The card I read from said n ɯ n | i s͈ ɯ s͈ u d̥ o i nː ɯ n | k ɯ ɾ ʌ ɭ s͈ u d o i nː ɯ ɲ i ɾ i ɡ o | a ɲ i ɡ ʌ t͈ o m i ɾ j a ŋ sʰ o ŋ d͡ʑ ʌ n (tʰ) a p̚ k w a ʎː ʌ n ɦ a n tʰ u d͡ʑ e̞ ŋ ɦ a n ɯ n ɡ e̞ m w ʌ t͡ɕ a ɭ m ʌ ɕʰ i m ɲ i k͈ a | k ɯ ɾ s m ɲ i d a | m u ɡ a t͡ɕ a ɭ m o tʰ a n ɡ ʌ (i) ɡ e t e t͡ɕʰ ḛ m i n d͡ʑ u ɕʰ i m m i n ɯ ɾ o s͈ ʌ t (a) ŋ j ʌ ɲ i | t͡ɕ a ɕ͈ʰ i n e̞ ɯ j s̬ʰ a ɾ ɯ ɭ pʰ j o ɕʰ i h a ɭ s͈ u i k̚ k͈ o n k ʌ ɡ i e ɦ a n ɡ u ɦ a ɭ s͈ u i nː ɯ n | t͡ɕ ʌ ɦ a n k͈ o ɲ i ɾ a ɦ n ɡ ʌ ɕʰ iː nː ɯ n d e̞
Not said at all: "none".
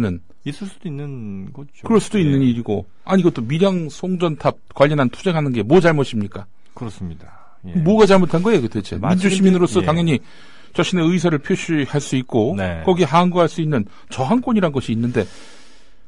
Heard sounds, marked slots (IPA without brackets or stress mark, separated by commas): tʰ, e, a